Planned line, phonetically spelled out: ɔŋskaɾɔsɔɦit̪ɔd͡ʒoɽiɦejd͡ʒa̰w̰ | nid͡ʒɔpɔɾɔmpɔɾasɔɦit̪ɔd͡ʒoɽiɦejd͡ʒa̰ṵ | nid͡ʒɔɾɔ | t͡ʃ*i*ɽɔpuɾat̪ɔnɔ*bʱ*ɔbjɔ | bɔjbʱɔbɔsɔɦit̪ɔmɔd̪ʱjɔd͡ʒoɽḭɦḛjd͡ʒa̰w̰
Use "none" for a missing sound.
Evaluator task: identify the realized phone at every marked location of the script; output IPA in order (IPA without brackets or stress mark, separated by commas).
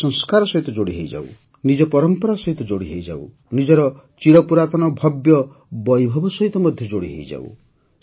i, bʱ